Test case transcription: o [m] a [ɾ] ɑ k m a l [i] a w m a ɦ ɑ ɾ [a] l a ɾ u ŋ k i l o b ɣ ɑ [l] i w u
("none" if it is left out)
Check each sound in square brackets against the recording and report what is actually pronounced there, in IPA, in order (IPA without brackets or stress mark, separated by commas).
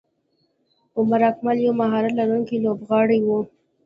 m, ɾ, j, a, ɽ